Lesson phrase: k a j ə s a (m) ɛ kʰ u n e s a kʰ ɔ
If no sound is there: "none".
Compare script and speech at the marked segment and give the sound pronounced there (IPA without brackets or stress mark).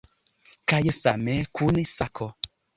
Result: m